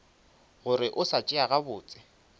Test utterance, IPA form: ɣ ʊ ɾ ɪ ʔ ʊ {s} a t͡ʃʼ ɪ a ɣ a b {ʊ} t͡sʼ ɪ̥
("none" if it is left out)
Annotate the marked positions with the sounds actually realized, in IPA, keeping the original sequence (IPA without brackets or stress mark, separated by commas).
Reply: s, ʊː